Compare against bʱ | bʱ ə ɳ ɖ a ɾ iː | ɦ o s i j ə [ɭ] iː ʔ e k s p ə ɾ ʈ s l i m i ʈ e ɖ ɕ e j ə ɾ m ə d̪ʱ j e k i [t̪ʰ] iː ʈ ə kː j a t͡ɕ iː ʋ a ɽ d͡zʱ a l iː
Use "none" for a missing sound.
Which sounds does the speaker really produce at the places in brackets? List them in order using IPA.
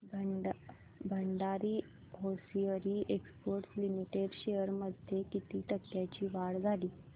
ɾ, t̪

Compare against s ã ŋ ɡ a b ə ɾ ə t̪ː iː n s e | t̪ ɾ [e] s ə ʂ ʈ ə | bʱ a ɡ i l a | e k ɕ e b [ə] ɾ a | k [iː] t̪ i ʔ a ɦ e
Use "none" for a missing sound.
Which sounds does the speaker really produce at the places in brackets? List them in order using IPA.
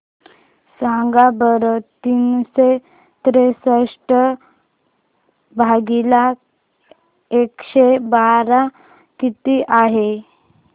e, a, i

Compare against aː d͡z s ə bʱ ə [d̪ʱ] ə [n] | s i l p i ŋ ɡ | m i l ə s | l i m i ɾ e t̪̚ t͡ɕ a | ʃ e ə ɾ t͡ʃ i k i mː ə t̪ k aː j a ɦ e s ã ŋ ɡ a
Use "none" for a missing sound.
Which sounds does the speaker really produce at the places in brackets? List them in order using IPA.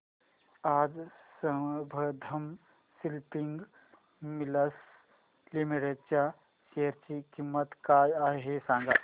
d̪ʱ, m

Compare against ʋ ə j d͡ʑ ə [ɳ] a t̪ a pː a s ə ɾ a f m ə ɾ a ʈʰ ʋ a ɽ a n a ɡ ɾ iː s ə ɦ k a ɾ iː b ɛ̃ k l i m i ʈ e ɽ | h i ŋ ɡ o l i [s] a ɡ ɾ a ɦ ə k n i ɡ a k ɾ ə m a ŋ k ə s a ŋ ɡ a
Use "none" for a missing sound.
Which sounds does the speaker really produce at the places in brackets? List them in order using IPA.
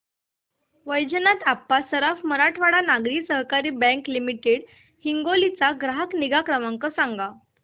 n, t͡s

